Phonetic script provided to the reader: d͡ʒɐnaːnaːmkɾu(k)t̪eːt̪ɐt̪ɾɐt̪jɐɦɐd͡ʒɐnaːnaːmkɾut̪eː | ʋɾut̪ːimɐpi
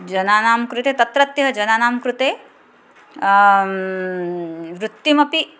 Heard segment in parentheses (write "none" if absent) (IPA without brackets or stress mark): none